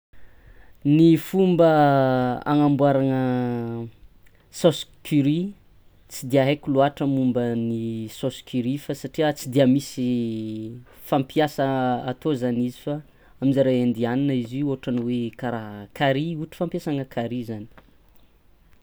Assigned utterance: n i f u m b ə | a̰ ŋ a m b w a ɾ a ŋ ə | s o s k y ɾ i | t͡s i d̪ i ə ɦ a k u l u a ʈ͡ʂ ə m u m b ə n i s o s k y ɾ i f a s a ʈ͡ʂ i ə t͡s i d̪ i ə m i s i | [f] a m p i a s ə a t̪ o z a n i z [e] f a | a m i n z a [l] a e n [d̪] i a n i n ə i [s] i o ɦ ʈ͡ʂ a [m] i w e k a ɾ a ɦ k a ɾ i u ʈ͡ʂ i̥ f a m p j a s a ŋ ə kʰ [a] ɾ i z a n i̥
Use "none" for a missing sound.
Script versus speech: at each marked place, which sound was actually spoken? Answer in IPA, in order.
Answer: f, i, ɾ, d̪, z, n, a

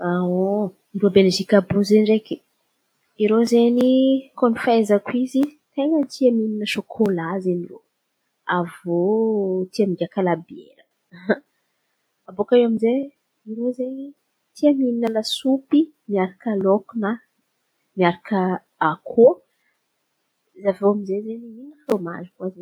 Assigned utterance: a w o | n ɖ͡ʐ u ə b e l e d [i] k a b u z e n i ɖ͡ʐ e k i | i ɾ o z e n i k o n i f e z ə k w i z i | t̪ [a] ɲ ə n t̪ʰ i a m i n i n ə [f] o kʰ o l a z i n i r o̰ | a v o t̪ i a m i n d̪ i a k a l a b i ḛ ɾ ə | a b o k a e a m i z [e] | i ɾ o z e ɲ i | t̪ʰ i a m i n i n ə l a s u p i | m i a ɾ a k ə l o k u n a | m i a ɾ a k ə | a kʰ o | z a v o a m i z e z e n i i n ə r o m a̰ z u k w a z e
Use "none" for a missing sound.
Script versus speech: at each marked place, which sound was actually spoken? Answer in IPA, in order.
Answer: i, e, ʃ, e

